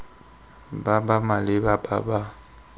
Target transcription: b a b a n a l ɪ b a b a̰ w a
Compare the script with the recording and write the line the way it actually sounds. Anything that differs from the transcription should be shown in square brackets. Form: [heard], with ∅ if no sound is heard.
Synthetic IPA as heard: b a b a [m] a l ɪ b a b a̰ [b] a